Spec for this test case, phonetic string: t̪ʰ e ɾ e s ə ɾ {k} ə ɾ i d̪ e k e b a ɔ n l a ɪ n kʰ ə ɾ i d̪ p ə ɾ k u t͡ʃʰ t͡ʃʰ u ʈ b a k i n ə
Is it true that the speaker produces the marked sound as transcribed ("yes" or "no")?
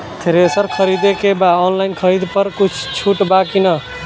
no